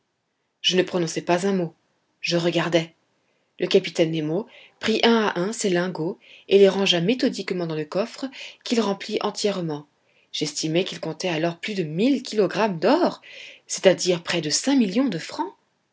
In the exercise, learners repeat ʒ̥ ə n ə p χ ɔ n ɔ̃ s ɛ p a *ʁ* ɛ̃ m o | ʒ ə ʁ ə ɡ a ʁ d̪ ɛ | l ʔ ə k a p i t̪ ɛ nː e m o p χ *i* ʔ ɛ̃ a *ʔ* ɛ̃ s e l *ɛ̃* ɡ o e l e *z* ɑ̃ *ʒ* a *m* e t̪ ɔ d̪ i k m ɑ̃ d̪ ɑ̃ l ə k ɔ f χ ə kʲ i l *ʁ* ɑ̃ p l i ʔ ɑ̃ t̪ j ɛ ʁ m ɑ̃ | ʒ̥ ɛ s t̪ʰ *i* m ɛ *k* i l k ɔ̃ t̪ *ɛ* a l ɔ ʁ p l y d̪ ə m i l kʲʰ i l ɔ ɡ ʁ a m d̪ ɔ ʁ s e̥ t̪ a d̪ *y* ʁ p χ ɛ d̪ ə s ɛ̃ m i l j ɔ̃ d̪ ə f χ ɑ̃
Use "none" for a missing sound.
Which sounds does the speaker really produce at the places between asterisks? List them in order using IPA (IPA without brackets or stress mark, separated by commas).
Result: z, i, ʔ, ɛ̃, ʁ, ʒ, m, ʁ, i, k, ɛ, i